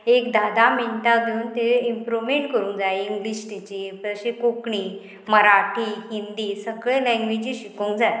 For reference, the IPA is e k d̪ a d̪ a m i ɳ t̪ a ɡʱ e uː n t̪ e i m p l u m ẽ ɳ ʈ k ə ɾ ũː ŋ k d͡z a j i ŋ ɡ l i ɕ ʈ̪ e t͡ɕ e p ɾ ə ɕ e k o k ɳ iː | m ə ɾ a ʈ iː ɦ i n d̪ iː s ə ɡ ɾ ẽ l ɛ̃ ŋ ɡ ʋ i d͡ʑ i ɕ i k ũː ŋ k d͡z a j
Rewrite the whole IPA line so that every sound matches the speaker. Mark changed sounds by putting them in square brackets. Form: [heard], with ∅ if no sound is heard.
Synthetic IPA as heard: e k d̪ a d̪ a m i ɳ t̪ a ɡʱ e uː n t̪ e i m p [ɾ] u m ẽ ɳ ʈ k ə ɾ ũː ŋ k d͡z a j i ŋ ɡ l i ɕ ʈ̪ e t͡ɕ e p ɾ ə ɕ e k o k ɳ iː | m ə ɾ a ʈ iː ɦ i n d̪ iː s ə ɡ [ɭ] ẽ l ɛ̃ ŋ ɡ ʋ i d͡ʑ i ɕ i k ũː ŋ k d͡z a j